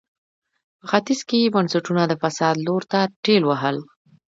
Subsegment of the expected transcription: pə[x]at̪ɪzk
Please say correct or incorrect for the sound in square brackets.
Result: correct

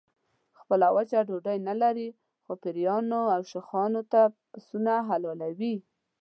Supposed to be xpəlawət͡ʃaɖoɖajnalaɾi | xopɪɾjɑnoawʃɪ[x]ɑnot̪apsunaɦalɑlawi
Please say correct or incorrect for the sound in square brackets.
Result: correct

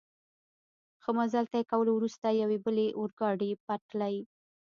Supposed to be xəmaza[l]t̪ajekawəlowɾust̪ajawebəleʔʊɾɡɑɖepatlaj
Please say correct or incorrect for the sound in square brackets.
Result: correct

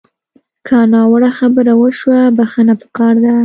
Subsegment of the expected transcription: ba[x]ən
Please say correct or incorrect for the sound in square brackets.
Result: correct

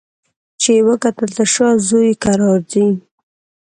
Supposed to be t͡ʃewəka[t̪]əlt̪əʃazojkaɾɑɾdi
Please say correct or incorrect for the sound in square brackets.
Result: correct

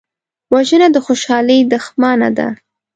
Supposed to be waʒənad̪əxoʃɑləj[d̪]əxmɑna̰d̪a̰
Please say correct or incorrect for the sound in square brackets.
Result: correct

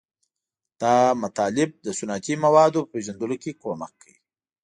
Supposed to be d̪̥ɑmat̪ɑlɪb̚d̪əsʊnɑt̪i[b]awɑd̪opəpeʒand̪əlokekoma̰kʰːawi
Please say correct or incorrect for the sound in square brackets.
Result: incorrect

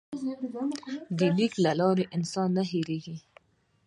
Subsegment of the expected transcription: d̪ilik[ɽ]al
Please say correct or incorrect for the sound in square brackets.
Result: incorrect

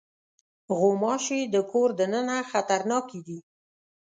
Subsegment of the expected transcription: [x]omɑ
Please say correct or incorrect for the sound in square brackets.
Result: incorrect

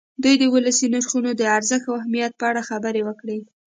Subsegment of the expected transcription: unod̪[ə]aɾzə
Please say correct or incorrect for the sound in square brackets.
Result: correct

